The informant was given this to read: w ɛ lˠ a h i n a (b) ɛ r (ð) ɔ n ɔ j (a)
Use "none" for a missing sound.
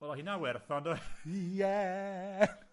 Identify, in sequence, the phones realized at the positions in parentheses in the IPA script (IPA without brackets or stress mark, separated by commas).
w, θ, ɛ